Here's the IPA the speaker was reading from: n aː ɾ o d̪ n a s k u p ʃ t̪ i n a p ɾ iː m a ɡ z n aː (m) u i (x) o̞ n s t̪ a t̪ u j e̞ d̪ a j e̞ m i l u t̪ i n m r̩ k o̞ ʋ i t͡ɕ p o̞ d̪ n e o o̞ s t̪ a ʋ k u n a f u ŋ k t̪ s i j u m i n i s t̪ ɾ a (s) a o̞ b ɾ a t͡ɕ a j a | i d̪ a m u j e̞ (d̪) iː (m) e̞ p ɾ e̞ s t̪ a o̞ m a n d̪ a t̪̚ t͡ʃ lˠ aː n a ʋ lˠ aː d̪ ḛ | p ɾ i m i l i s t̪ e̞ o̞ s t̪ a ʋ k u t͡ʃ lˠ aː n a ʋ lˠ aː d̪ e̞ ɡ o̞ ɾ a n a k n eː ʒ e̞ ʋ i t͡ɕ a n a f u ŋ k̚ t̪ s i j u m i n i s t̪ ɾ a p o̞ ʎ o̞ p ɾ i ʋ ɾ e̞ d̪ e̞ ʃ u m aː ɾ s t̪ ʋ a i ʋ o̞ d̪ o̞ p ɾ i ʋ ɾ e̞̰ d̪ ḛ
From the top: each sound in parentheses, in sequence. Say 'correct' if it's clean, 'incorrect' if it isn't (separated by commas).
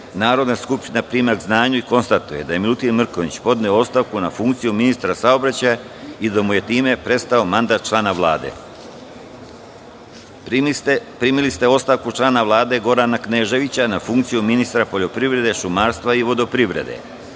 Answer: incorrect, incorrect, correct, incorrect, correct